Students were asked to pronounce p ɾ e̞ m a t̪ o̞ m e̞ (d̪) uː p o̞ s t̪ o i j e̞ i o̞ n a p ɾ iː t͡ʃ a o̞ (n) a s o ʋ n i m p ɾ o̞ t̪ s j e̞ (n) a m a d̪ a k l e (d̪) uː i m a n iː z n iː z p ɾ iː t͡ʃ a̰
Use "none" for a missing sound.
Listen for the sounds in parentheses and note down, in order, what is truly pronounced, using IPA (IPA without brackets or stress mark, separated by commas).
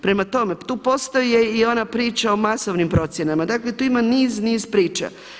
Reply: t̪, m, n, t̪